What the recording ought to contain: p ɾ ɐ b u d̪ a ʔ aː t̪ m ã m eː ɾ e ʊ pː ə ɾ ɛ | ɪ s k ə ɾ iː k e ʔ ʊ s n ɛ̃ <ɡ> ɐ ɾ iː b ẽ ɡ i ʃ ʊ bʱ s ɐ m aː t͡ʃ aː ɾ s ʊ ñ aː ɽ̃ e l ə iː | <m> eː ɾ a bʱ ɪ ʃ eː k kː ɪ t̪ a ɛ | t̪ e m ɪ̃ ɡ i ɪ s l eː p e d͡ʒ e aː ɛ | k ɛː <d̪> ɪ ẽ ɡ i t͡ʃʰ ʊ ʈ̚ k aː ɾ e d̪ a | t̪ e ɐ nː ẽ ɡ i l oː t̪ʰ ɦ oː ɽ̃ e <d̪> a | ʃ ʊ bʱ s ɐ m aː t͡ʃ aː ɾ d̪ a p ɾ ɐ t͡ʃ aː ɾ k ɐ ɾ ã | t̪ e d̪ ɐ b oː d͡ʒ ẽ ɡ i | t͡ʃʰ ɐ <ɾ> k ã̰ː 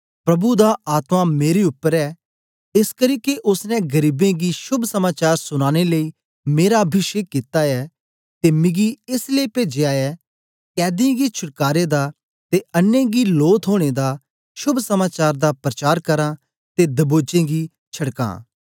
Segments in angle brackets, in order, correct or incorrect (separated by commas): correct, correct, correct, correct, incorrect